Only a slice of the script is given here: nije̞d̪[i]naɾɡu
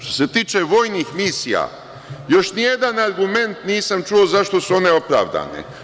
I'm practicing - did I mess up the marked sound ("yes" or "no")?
yes